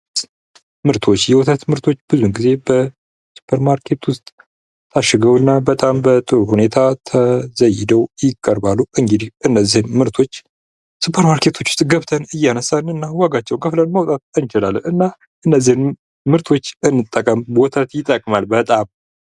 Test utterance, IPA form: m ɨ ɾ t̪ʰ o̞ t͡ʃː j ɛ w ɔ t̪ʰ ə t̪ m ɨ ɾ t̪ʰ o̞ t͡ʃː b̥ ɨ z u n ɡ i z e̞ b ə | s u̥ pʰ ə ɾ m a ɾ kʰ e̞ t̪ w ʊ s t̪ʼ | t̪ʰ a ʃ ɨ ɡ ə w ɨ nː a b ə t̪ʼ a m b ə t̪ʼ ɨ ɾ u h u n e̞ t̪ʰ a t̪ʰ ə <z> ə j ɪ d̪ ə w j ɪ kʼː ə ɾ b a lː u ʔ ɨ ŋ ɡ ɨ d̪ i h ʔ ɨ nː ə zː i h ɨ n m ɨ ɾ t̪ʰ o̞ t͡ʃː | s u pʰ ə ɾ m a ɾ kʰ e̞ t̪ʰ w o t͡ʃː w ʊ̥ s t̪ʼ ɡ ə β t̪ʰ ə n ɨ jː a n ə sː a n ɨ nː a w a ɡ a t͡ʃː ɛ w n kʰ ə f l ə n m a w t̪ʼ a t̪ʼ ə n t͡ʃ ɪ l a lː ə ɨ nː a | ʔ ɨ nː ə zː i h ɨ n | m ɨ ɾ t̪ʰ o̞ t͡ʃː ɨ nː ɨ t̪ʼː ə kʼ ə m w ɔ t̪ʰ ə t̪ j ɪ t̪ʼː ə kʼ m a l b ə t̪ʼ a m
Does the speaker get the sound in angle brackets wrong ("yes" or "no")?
no